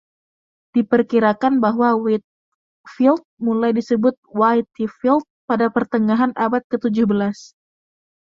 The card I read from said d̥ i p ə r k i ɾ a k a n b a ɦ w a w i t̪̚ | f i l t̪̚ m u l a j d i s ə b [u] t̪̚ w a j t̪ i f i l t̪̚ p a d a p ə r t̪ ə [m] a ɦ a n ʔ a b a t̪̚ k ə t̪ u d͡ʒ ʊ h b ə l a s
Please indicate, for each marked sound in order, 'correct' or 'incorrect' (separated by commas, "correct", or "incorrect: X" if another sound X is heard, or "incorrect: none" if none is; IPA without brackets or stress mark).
incorrect: ʊ, incorrect: ŋ